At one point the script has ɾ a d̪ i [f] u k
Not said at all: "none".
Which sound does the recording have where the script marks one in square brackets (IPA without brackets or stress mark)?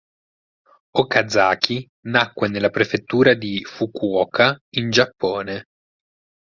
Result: f